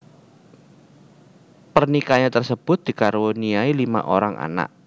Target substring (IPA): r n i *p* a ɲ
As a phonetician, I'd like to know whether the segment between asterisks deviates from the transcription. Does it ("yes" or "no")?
yes